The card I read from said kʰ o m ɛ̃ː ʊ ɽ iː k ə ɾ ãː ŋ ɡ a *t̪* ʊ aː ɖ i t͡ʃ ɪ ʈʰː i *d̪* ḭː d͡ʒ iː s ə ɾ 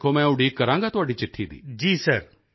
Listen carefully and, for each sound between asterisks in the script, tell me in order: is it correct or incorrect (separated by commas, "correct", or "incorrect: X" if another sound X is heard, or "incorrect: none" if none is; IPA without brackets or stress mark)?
correct, correct